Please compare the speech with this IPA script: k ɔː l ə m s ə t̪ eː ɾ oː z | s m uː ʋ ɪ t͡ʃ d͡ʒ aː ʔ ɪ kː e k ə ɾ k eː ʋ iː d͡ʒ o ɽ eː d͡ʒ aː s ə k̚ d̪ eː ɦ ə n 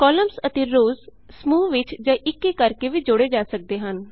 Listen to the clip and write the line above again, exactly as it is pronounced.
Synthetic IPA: k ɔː l ə m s ə t̪ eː ɾ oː z | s m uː ʋ ɪ t͡ʃ d͡ʒ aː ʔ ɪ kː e k ə ɾ k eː ʋ iː d͡ʒ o ɽ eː d͡ʒ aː s ə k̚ d̪ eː ɦ ə n